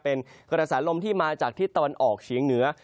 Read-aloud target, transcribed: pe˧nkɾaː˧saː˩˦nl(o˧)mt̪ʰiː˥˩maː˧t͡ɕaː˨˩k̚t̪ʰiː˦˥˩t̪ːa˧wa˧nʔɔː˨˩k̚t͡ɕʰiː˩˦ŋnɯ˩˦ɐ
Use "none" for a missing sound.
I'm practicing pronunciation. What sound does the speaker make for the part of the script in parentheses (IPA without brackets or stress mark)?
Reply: o˧